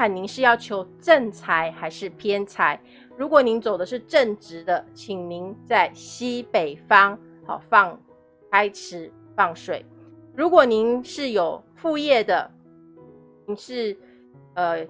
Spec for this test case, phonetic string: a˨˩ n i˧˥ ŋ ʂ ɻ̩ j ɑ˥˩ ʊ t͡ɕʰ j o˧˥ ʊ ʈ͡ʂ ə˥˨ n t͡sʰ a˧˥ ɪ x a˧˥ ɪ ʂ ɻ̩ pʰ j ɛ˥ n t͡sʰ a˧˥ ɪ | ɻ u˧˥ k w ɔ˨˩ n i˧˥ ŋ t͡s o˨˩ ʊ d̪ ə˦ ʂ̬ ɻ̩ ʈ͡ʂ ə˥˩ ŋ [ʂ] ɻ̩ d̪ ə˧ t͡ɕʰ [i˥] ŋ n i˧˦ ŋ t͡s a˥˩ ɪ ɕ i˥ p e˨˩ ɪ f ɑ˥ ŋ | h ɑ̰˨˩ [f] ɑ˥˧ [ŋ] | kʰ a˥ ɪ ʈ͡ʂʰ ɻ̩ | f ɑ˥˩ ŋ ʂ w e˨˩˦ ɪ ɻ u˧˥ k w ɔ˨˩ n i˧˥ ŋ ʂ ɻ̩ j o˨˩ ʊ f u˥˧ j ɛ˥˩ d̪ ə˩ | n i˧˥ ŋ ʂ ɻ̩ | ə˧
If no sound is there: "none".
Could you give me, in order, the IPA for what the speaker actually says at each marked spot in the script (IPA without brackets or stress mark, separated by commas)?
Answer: ʈ͡ʂ, i˨˩, f, ŋ